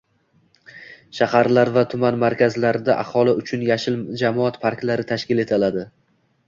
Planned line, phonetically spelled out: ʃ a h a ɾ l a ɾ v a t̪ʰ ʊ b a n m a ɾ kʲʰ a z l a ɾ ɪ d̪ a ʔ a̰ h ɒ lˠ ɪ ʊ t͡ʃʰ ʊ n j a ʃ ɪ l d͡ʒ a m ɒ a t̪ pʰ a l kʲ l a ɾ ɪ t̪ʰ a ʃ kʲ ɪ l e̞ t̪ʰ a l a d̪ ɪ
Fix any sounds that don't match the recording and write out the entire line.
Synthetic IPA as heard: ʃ a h a ɾ l a ɾ v a t̪ʰ ʊ m a n m a ɾ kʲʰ a z l a ɾ ɪ d̪ a ʔ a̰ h ɒ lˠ ɪ ʊ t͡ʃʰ ʊ n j a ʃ ɪ l d͡ʒ a m ɒ a t̪ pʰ a ɾ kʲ l a ɾ ɪ t̪ʰ a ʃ kʲ ɪ l e̞ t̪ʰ a l a d̪ ɪ